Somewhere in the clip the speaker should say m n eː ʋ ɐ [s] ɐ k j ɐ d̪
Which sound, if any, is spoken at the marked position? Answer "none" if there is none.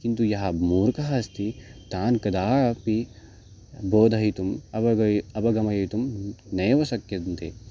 s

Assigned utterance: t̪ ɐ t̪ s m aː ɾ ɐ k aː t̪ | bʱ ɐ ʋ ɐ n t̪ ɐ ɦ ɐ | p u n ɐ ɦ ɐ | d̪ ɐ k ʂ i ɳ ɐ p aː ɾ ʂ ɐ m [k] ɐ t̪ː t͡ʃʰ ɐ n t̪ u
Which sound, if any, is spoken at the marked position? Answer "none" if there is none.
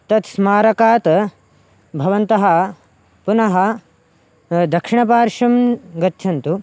ɡ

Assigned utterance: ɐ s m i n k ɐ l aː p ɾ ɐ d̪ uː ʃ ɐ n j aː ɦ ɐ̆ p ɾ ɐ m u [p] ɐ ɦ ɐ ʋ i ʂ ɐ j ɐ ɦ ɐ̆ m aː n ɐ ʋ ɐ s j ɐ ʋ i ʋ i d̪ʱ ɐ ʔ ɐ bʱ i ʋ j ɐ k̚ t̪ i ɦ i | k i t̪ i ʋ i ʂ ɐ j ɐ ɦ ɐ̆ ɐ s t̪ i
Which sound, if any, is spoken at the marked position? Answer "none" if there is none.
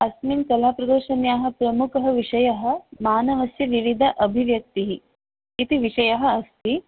k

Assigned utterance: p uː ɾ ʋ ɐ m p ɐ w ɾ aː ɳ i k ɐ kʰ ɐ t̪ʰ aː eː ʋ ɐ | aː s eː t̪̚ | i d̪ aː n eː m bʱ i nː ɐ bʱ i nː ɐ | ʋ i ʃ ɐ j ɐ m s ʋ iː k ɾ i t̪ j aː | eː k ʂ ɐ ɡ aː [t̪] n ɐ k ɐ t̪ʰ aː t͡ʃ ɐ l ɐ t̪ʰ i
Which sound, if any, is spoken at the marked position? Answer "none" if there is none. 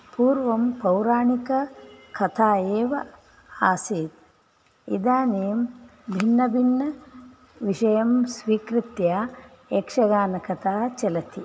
none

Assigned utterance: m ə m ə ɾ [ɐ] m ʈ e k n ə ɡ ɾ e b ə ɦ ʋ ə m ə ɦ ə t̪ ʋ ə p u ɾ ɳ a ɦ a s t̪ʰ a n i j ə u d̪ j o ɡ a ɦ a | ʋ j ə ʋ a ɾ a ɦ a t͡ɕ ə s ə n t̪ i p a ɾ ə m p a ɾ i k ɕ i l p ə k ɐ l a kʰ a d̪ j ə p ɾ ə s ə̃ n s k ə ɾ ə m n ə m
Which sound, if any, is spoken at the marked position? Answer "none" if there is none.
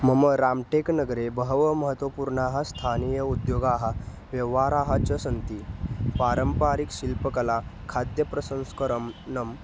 a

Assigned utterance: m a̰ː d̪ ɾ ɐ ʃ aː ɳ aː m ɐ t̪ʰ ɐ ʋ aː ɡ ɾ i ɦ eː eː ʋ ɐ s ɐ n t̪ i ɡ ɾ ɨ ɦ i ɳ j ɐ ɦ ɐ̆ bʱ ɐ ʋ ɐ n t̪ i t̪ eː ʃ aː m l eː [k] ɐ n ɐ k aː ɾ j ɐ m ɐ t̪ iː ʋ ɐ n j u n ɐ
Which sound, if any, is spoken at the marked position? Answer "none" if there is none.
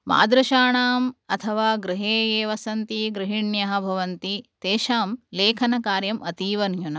kʰ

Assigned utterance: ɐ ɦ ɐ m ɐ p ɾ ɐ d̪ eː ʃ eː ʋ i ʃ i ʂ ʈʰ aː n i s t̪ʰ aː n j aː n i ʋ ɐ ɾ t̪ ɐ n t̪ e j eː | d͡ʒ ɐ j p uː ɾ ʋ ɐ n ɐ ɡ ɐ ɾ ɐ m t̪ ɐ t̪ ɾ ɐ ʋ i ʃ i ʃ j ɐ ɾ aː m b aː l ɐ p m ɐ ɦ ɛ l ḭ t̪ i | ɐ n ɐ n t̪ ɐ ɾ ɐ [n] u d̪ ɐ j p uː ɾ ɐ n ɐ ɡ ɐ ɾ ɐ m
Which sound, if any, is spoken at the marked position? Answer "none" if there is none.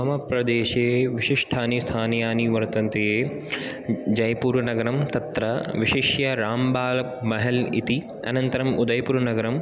m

